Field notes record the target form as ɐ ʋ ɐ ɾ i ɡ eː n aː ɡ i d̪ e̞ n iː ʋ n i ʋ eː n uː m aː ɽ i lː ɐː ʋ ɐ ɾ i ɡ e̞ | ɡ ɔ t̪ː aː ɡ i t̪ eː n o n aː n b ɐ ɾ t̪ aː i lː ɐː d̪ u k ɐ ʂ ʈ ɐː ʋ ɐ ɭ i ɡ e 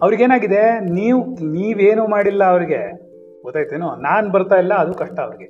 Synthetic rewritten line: ɐ ʋ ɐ ɾ i ɡ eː n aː ɡ i d̪ e̞ n iː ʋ n iː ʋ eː n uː m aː ɽ i lː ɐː ʋ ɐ ɾ i ɡ e̞ | ɡ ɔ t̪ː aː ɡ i t̪ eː n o n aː n b ɐ ɾ t̪ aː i lː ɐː d̪ u k ɐ ʂ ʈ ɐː ʋ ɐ ɾ i ɡ e